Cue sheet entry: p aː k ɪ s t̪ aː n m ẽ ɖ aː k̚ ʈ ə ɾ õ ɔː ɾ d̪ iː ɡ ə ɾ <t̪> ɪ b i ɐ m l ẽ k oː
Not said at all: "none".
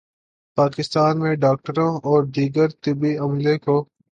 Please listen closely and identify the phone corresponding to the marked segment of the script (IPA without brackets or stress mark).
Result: t̪